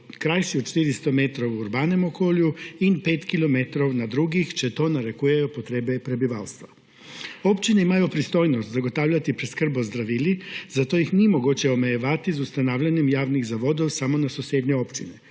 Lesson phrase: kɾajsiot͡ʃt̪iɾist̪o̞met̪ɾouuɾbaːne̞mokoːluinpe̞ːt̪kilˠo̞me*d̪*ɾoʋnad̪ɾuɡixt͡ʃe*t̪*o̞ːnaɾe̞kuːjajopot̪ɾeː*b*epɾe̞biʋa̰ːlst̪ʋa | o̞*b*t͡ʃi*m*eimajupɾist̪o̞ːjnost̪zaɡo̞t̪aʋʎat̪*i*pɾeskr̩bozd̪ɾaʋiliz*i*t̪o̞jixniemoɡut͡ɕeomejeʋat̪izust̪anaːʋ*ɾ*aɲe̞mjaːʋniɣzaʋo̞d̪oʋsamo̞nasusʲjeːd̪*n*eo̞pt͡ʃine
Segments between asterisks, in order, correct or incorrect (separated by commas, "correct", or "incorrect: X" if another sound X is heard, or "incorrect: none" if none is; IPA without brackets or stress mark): incorrect: t̪, correct, correct, incorrect: p, incorrect: n, correct, incorrect: a, incorrect: ʎ, incorrect: ɲ